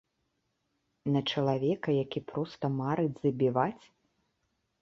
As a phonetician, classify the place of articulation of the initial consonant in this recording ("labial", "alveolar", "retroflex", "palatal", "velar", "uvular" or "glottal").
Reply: alveolar